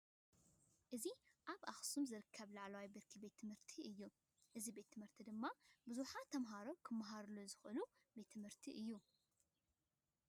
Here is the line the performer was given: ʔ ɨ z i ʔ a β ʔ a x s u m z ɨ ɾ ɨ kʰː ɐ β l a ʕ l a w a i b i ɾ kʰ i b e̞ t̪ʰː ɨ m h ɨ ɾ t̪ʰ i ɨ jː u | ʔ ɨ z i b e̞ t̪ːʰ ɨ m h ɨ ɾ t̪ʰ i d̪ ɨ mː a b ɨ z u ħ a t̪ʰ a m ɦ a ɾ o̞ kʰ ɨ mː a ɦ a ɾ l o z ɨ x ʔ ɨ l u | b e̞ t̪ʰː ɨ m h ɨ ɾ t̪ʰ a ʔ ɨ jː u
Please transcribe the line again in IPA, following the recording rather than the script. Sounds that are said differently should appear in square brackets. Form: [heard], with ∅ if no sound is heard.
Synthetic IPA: ʔ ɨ z i ʔ a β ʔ a x s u m z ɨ ɾ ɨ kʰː ɐ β l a ʕ l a w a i b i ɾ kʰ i b e̞ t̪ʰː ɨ m h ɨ ɾ t̪ʰ i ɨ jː u | ʔ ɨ z i b e̞ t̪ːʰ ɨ m h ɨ ɾ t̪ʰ i d̪ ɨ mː a b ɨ z u ħ a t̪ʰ [ɐ] m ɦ a ɾ o̞ kʰ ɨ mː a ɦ a ɾ l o z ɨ x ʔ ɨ l u | b e̞ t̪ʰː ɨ m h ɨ ɾ t̪ʰ [i] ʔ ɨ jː u